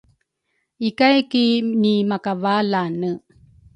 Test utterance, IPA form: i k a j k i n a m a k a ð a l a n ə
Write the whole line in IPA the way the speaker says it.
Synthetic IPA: i k a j k i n i m a k a v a l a n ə